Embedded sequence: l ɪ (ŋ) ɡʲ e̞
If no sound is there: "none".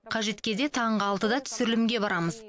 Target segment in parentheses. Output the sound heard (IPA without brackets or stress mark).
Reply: m